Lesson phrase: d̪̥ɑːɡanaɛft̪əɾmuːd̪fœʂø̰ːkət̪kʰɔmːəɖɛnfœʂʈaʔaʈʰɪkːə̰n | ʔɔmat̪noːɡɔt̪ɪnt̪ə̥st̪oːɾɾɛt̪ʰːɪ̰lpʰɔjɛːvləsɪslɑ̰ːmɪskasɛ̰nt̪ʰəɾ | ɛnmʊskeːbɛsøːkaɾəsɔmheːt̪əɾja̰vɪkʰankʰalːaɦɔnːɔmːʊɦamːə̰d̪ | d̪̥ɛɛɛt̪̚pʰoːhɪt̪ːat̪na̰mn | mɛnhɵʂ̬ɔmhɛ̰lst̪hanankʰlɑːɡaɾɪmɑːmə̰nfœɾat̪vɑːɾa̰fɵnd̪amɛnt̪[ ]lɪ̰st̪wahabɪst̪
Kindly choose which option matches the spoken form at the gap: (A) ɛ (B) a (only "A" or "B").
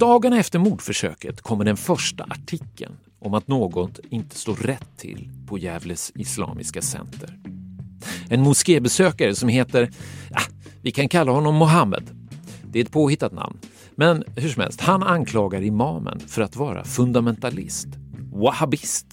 B